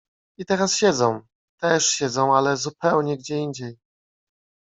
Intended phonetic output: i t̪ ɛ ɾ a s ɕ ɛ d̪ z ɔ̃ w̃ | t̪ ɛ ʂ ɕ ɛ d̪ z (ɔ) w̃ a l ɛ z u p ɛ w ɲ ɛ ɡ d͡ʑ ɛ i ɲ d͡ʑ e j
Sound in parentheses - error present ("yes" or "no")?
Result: yes